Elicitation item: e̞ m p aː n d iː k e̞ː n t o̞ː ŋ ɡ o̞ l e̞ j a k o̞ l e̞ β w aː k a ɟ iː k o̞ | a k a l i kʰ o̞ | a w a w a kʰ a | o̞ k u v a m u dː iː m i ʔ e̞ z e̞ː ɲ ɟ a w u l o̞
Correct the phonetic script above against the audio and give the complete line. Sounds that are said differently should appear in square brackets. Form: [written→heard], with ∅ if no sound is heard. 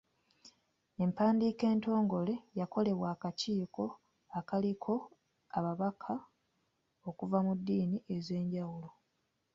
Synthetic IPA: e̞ m p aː n d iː k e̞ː n t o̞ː ŋ ɡ o̞ l e̞ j a k o̞ l e̞ β w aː k a [ɟ→c] iː k o̞ | a k a l i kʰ o̞ | a [w→β] a [w→β] a kʰ a | o̞ k u v a m u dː iː [m→n] i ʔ e̞ z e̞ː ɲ ɟ a w u l o̞